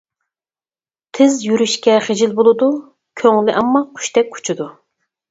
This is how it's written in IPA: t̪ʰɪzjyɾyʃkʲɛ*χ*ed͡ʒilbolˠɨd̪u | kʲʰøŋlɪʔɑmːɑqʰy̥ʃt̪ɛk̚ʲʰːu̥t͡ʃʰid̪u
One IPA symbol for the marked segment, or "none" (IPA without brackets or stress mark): χ